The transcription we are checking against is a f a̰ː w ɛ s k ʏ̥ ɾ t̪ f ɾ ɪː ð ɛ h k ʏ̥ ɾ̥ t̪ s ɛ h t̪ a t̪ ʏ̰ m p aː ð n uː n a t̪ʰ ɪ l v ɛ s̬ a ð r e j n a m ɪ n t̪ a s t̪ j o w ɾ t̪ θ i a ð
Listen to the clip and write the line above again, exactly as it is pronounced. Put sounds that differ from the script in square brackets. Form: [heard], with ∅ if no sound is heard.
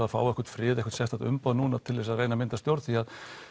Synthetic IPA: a f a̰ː w ɛ [h] k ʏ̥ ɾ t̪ f ɾ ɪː ð ɛ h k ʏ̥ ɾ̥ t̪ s ɛ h t̪ a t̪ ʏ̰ m p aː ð n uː n a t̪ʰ ɪ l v ɛ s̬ a ð r e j n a m ɪ n t̪ a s t̪ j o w ɾ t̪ θ i a ð

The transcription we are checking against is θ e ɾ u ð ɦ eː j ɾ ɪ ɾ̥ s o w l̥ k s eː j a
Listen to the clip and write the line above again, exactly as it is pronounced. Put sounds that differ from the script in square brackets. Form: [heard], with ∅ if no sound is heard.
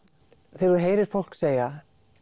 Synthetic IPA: θ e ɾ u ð ɦ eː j ɾ ɪ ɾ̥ [f] o w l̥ k s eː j a

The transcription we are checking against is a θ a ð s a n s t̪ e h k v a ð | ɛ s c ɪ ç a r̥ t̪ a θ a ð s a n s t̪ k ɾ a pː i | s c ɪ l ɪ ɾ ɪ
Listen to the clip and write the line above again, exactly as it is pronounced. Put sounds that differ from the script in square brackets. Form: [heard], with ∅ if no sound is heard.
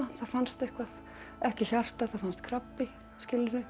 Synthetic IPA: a θ a ð [f] a n s t̪ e h k v a ð | ɛ [h] c ɪ ç a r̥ t̪ a θ a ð [f] a n s t̪ [kʰ] ɾ a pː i | s c ɪ l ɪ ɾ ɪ

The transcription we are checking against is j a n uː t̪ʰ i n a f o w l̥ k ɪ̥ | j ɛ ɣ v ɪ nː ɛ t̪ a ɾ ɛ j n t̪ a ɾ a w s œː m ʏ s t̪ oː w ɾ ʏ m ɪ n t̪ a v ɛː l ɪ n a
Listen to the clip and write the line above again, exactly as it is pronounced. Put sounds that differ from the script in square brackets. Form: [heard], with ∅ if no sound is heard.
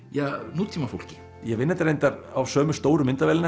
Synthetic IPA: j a n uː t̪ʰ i [m] a f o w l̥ [c] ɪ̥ | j ɛ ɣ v ɪ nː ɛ t̪ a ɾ [e] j n t̪ a ɾ a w s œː m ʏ s t̪ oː w ɾ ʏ m ɪ n t̪ a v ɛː l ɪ n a

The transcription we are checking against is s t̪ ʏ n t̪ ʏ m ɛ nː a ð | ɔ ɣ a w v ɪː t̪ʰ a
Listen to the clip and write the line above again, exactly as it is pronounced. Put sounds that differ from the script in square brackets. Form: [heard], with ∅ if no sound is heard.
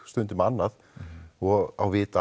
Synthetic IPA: s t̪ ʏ n t̪ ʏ m [a] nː a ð | ɔ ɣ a w v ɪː [t̪] a

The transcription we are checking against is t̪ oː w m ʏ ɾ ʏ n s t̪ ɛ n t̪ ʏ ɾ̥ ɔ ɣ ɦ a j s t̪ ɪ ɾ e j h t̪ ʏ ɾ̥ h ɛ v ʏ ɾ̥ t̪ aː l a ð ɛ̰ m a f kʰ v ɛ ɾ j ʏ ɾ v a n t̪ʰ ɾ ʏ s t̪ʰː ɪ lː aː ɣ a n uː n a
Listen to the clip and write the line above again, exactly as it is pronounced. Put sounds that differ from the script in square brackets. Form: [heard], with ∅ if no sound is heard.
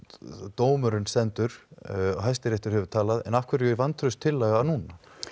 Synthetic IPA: t̪ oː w m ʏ ɾ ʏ n s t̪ ɛ n t̪ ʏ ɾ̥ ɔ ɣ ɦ a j s t̪ ɪ ɾ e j h t̪ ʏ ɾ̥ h ɛ v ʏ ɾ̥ [t̪ʰ] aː l a ð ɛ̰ [n] a f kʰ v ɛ ɾ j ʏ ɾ v a n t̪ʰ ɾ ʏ s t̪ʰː ɪ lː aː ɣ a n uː n a

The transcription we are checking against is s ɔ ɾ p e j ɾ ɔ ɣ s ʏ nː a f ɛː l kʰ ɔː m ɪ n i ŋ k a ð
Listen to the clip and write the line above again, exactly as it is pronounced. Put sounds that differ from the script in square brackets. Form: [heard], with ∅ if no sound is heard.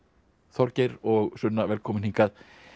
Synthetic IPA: [θ] ɔ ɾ [c] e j ɾ ɔ ɣ s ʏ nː a [v] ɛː l kʰ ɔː m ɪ n i ŋ k a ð

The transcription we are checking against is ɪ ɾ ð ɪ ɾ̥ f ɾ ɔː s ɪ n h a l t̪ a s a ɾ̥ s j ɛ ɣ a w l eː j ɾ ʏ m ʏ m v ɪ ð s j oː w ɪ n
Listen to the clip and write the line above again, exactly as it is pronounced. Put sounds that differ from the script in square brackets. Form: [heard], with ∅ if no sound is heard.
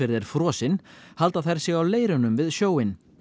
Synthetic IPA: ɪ ɾ ð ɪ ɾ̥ f ɾ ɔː s ɪ n h a l t̪ a [θ] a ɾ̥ s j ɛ ɣ a w l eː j ɾ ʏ [n] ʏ m v ɪ ð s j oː w ɪ n

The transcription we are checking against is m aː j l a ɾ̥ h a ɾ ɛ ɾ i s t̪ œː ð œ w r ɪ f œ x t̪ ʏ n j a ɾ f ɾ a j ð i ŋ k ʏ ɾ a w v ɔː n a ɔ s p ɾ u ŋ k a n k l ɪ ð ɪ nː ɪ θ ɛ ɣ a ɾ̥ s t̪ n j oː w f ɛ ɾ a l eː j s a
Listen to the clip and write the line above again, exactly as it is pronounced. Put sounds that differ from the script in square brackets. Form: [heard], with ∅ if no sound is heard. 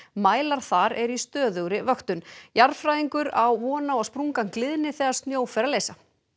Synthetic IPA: m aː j l a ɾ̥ [θ] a ɾ ɛ ɾ i s t̪ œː ð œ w [ɾ] ɪ [v] œ x t̪ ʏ n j a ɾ f ɾ a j ð i ŋ k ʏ ɾ a w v ɔː n a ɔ s p ɾ u ŋ k a n k l ɪ ð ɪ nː ɪ θ ɛ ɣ a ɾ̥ s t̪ n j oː w f ɛ ɾ a l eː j s a

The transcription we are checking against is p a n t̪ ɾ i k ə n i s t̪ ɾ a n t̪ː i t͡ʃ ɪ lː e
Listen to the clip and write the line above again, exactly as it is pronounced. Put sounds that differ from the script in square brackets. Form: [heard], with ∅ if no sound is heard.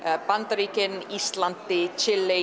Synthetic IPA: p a n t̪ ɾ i k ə n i s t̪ [l] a n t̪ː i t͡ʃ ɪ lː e

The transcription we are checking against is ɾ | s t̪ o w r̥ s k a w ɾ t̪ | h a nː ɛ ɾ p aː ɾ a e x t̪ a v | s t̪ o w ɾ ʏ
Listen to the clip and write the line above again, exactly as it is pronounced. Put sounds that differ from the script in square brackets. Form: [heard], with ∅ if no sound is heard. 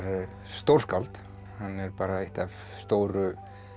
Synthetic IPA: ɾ | s t̪ o w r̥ s k a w [l] t̪ | h a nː ɛ ɾ p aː ɾ a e [h] t̪ a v | s t̪ o w ɾ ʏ

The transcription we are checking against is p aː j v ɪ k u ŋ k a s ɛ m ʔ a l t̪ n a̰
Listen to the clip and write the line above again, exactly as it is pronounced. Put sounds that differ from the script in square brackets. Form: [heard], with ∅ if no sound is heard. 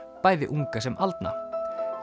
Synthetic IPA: p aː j [ð] ɪ [ʔ] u ŋ k a s ɛ m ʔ a l t̪ n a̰

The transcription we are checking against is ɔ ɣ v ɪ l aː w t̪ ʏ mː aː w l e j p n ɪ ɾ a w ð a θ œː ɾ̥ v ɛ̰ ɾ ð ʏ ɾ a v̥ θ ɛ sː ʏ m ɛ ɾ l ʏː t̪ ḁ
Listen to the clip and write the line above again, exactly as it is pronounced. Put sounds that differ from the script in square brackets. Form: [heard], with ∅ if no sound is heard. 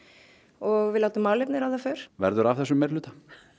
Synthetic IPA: ɔ ɣ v ɪ l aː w t̪ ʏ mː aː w l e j p n ɪ ɾ a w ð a [f] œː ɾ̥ v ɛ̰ ɾ ð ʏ ɾ a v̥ θ ɛ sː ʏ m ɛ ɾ l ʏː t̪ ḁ

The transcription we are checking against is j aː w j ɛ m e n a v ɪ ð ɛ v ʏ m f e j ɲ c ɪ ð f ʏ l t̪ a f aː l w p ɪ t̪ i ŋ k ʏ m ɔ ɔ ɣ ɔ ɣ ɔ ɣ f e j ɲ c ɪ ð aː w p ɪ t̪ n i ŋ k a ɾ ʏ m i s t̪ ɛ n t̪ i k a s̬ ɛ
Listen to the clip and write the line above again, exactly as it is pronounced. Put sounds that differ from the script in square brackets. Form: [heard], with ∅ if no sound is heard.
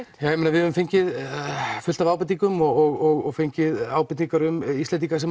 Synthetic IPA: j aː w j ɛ m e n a v ɪ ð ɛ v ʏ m f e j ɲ c ɪ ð f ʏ l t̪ a [v] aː [∅] w p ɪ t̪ i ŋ k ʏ m ɔ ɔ ɣ ɔ ɣ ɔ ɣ f e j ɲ c ɪ ð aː w p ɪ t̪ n i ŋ k a ɾ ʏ m i s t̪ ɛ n t̪ i k a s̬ ɛ

